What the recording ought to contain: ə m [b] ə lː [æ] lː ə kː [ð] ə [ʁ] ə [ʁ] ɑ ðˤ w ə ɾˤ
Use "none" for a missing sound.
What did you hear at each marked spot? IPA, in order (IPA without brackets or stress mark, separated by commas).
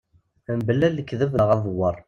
b, æ, ð, v, ʁ